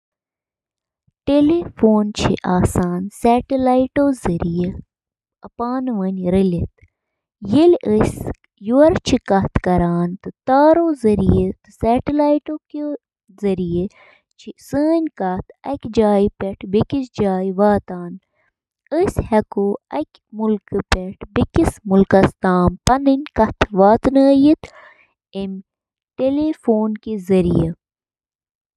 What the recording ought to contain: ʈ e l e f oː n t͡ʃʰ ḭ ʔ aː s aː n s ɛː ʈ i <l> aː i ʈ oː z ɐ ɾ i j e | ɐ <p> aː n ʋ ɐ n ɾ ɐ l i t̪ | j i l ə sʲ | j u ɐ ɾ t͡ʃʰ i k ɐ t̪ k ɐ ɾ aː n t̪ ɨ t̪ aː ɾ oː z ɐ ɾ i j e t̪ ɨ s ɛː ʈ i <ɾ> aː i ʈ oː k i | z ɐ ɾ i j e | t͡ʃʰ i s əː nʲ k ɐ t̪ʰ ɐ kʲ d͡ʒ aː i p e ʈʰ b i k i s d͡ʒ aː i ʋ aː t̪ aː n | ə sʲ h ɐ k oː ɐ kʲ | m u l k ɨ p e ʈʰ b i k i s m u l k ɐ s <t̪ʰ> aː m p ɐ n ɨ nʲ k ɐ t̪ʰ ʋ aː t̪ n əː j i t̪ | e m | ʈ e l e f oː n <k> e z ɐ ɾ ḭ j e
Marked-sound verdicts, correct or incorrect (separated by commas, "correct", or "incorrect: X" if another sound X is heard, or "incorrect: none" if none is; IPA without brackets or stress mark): correct, correct, incorrect: l, incorrect: t̪, correct